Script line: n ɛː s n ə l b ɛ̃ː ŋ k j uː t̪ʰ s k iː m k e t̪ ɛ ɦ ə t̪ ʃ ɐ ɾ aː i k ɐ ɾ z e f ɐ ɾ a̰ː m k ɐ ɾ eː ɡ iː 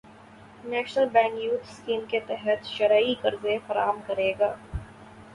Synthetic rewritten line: n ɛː ʃ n ə l b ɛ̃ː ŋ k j uː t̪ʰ s k iː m k e t̪ ɛ ɦ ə t̪ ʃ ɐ ɾ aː i k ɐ ɾ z e f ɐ ɾ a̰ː m k ɐ ɾ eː ɡ aː